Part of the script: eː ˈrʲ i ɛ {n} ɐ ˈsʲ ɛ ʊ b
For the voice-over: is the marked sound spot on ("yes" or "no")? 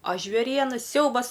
yes